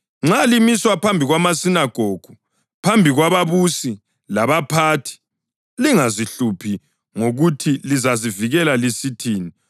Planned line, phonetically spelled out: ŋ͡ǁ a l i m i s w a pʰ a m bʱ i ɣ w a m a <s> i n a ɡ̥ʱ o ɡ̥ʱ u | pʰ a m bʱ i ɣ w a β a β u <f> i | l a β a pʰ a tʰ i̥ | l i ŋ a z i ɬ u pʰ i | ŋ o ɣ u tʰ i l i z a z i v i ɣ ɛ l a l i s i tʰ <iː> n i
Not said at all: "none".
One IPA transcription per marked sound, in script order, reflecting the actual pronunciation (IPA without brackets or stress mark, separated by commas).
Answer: s, s, iː